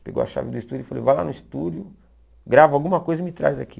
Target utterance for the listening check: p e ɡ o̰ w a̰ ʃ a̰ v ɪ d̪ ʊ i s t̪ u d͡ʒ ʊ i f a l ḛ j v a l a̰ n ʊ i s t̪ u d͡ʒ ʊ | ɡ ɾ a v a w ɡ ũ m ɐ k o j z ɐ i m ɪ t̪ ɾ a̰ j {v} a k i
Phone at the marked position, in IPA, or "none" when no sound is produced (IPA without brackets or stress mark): z